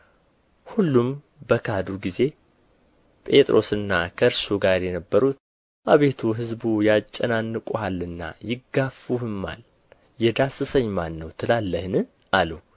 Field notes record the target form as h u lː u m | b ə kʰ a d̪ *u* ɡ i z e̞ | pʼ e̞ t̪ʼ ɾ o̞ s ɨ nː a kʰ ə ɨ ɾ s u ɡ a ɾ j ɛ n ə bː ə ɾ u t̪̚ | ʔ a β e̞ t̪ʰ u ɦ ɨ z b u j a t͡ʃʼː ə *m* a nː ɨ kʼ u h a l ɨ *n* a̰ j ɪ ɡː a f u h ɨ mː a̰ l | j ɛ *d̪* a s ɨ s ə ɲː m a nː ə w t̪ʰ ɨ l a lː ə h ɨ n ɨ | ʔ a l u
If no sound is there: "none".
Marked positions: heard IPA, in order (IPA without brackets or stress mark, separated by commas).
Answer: u, n, nː, d̪